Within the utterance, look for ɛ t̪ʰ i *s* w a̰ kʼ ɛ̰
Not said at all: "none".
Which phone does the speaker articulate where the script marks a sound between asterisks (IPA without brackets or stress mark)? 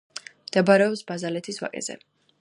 s